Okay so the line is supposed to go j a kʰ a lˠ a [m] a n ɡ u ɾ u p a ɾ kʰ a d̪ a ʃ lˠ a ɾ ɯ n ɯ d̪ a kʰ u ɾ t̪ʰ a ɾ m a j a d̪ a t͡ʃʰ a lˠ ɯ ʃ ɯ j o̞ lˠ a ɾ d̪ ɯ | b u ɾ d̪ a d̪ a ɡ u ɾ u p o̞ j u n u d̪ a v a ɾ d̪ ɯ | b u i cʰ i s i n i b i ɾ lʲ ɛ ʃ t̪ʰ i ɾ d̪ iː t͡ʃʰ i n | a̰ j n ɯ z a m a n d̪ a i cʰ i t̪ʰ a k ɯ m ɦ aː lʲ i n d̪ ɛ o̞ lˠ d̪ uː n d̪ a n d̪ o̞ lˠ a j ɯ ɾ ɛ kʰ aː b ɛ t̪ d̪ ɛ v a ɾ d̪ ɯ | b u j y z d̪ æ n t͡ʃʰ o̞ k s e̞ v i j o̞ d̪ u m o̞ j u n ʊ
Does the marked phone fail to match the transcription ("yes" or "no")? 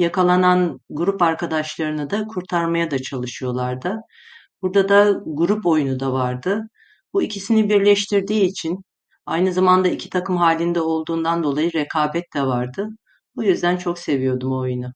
yes